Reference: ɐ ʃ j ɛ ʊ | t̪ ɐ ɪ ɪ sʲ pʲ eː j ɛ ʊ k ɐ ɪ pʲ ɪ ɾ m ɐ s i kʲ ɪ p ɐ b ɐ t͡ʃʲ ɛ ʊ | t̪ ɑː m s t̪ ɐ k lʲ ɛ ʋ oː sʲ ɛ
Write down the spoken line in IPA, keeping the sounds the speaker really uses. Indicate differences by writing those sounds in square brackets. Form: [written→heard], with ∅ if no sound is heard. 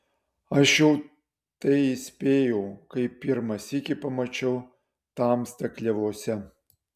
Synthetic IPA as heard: ɐ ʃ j ɛ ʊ | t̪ ɐ ɪ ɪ sʲ pʲ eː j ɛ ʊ k ɐ ɪ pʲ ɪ ɾ m ɐ s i kʲ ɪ p ɐ [b→m] ɐ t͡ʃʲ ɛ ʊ | t̪ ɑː m s t̪ ɐ k lʲ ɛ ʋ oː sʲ ɛ